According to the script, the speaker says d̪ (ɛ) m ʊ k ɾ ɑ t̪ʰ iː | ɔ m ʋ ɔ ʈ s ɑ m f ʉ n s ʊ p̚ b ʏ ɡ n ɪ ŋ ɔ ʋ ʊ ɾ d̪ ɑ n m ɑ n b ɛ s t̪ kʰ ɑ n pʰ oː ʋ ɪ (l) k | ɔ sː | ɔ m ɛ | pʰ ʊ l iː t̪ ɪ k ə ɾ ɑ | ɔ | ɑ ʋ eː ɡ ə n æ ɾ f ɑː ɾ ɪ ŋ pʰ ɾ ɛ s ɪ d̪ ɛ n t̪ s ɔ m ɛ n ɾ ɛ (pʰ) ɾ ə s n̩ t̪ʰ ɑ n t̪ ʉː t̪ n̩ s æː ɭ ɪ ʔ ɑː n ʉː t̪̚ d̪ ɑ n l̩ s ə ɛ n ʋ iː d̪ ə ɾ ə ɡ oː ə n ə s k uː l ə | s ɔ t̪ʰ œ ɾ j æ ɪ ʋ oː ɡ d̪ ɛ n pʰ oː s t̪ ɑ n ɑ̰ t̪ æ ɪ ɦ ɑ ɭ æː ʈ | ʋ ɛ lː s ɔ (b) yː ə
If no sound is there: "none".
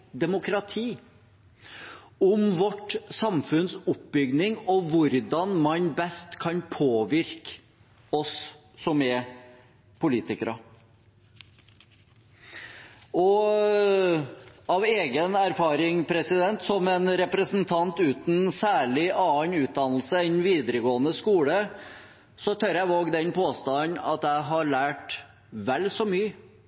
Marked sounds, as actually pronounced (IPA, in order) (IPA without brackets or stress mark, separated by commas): ɛ, ɾ, p, m